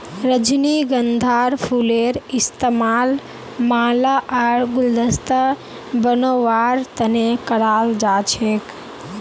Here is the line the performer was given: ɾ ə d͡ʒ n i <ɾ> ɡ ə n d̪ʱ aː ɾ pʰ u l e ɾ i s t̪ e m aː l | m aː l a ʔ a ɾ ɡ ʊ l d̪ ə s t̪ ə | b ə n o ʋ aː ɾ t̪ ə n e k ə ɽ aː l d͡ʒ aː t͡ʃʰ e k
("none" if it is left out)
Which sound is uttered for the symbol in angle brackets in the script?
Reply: none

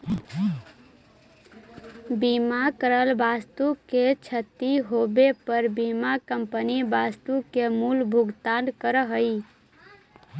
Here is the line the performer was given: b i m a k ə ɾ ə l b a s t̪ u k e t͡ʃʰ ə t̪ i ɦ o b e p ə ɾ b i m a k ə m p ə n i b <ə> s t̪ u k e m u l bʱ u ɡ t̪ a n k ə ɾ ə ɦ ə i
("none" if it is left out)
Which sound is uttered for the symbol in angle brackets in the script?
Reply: a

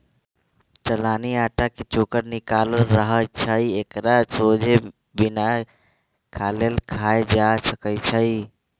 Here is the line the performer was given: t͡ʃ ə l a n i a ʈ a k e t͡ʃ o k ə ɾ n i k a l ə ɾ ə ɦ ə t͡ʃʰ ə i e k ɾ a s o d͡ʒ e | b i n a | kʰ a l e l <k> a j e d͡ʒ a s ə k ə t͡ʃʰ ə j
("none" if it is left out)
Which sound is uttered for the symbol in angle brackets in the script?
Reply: kʰ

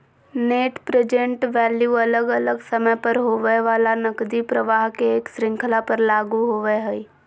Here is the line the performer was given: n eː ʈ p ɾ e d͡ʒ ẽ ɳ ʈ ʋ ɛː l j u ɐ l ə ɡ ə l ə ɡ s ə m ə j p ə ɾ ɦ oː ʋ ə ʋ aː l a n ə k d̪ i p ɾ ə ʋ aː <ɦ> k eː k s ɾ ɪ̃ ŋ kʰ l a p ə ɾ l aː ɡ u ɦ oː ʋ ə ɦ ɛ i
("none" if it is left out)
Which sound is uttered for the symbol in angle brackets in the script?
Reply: ɦ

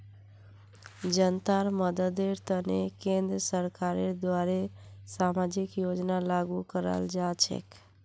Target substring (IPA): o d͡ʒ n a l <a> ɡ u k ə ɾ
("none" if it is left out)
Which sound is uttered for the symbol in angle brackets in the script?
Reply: a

